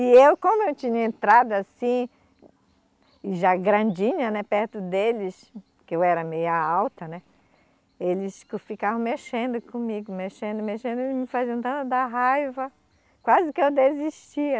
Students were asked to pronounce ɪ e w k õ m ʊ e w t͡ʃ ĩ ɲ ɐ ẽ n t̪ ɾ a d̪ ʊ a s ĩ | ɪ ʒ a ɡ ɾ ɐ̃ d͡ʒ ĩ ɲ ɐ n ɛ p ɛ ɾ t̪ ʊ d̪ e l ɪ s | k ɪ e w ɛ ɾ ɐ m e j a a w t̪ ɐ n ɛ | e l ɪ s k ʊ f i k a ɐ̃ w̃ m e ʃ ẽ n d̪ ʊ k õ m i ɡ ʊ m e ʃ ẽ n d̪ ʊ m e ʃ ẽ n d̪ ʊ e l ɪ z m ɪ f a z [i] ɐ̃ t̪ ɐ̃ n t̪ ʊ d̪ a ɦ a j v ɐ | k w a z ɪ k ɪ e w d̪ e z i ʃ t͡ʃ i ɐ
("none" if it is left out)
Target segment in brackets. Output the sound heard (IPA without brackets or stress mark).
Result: i